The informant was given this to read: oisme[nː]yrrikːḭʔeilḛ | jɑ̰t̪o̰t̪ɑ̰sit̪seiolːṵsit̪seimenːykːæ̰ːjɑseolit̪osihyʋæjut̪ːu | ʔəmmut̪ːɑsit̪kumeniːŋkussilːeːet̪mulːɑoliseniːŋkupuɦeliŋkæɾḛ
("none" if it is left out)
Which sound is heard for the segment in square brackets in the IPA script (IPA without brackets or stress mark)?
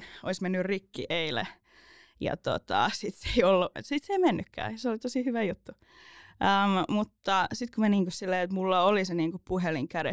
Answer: nː